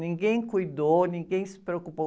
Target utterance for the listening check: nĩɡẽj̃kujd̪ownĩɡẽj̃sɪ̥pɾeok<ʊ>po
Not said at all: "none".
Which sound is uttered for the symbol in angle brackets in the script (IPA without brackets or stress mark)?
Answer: u